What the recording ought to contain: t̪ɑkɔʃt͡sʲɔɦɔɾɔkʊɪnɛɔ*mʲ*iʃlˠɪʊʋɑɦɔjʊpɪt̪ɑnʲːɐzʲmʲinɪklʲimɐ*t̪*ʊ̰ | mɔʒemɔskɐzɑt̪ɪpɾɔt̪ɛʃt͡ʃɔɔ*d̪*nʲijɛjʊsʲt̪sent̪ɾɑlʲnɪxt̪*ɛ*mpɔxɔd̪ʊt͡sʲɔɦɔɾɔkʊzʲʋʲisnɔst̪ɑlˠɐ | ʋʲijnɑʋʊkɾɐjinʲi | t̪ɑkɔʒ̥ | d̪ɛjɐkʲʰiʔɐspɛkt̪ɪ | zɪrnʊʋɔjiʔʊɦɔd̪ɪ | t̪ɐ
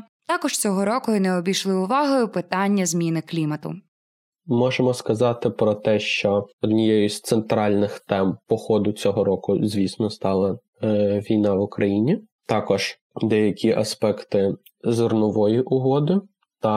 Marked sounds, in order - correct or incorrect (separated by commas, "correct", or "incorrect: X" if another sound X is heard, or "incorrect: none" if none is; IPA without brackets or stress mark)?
incorrect: bʲ, correct, correct, correct